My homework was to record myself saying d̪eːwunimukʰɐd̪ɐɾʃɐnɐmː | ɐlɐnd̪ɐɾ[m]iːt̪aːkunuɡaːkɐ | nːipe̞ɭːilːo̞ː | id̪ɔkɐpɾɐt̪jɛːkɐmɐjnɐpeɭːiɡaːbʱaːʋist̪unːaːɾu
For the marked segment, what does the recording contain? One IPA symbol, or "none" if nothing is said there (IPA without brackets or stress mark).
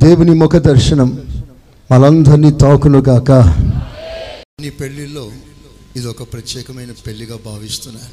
n